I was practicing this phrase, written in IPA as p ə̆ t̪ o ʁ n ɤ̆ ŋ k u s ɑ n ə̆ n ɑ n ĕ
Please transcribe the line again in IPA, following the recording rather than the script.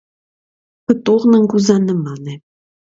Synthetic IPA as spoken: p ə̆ t̪ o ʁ n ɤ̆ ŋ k u z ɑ n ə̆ m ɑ n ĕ